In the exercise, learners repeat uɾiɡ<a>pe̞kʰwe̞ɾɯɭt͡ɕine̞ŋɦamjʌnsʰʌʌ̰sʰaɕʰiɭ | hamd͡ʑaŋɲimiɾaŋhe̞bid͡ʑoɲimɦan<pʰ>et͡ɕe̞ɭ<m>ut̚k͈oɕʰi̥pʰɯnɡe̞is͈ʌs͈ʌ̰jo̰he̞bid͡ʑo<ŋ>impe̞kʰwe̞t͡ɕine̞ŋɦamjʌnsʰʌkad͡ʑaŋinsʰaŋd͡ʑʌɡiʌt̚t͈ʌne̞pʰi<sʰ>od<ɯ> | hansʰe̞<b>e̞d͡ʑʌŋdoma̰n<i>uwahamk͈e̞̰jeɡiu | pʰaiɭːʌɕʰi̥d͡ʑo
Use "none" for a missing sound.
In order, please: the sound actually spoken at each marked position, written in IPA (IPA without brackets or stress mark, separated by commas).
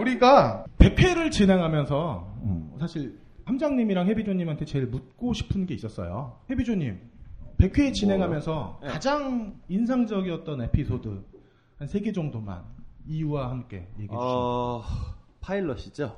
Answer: a, tʰ, m, ɲ, sʰ, ɯ, ɡ, i